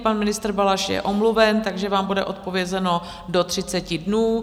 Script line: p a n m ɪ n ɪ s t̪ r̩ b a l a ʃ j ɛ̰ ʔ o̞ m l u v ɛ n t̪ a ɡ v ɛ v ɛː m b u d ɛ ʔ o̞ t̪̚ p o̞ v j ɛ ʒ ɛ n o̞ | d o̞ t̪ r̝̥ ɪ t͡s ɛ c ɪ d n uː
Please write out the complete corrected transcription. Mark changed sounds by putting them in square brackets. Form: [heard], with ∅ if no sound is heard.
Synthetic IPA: p a n m ɪ n ɪ s t̪ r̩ b a l a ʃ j ɛ̰ ʔ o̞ m l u v ɛ n t̪ a ɡ [ʒ] ɛ v [aː] m b u d ɛ ʔ o̞ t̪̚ p o̞ v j ɛ [z] ɛ n o̞ | d o̞ t̪ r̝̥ ɪ t͡s ɛ c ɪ d n uː

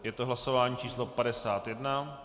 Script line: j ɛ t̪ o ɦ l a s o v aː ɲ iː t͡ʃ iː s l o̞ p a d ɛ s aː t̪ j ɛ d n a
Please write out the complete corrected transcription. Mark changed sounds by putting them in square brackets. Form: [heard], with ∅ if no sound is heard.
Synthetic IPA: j ɛ t̪ o ɦ l a s o v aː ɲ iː t͡ʃ iː s l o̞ p a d ɛ s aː t̪ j ɛ d n a

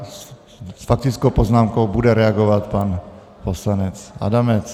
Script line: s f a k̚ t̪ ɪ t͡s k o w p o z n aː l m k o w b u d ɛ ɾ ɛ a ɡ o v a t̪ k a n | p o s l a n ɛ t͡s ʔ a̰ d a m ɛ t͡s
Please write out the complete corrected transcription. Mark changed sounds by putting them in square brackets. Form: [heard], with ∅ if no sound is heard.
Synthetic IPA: s f a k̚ t̪ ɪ t͡s k o w p o z n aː [∅] m k o w b u d ɛ ɾ ɛ a ɡ o v a t̪ [p] a n | p o s l a n ɛ t͡s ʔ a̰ d a m ɛ t͡s

